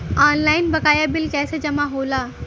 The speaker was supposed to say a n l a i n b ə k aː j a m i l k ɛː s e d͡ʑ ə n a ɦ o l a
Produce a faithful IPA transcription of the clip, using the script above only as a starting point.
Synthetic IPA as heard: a n l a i n b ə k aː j a b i l k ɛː s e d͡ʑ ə m a ɦ o l a